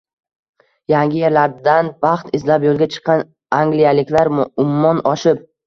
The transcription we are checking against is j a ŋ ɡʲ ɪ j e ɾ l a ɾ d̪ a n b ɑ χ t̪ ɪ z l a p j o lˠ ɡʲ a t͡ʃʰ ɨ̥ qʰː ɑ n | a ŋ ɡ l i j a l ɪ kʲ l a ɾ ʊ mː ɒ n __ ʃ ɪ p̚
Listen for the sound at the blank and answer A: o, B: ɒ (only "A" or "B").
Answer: B